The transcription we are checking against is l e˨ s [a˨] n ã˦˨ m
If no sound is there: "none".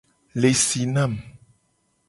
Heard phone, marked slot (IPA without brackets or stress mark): i˨